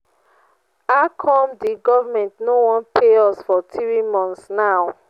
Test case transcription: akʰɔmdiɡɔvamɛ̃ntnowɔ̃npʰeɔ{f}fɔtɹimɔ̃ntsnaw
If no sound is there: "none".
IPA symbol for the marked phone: s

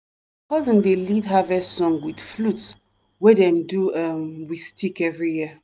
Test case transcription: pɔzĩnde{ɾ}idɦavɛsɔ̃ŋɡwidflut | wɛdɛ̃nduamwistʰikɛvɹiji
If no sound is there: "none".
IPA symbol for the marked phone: l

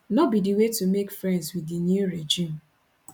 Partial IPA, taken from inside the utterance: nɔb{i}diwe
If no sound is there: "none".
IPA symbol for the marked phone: i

